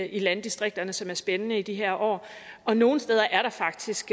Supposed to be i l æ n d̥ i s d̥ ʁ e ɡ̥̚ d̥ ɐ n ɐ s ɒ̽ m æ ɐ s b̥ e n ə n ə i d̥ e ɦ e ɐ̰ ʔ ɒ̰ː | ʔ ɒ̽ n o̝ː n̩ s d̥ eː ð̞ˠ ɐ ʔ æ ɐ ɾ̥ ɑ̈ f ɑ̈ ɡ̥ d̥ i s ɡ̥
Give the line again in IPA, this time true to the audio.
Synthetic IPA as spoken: i l æ n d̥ i s d̥ ʁ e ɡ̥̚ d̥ ɐ n ə s ɒ̽ m æ ɐ s b̥ e n ə n ə i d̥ i ɦ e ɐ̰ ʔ ɒ̰ː | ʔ ɒ̽ n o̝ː n̩ s d̥ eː ð̞ˠ ɐ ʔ æ ɐ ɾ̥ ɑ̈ f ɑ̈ ɡ̥ d̥ i s ɡ̥